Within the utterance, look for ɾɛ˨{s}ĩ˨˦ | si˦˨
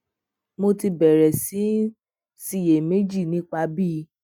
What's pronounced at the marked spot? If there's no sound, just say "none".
s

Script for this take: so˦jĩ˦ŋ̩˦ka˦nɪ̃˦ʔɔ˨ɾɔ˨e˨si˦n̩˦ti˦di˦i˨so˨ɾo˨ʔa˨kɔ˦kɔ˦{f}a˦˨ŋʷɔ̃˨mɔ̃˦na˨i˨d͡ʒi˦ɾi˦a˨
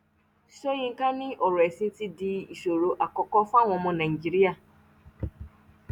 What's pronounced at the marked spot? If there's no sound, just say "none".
f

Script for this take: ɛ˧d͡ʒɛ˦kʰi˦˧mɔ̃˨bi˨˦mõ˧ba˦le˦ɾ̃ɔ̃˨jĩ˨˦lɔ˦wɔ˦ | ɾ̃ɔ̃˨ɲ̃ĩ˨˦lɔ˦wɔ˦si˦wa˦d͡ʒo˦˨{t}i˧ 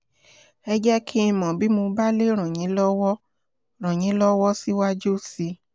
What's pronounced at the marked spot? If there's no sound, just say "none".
s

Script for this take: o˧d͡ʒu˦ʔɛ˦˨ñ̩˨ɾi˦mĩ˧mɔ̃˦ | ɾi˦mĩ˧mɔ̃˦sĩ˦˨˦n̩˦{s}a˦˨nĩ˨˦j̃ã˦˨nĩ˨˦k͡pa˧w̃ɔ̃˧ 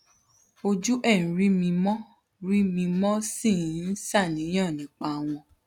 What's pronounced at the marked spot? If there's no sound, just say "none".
s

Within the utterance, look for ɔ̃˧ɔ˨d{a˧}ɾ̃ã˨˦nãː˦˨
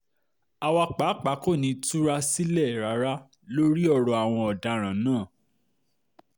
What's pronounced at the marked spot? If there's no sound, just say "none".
a˧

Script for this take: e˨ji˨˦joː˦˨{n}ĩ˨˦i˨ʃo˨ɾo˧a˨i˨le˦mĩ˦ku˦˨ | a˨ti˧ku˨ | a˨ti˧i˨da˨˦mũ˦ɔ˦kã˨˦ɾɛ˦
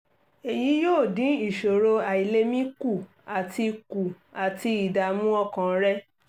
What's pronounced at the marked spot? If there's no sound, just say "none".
d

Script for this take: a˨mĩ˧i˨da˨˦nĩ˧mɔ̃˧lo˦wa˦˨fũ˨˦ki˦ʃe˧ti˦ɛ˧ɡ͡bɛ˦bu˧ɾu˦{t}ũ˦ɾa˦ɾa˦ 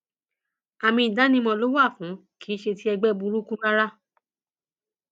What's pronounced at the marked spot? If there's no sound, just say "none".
k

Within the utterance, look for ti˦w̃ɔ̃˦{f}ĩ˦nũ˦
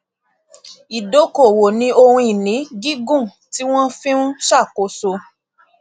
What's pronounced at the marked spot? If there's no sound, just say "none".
f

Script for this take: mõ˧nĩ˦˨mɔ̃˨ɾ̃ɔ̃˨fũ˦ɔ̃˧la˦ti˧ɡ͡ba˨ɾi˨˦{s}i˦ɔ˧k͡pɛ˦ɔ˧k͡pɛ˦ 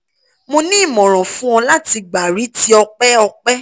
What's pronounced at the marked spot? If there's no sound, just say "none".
t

